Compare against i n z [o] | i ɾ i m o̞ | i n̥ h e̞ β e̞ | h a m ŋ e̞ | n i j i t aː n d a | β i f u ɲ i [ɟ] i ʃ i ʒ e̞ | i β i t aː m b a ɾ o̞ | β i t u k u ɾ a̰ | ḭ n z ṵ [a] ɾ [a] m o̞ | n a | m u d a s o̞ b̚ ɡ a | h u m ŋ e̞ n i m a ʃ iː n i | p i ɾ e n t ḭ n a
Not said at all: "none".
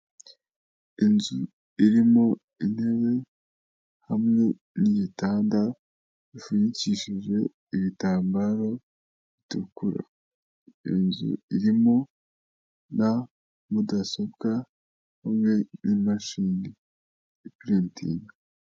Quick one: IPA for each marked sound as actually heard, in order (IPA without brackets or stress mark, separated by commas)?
u, c, i, i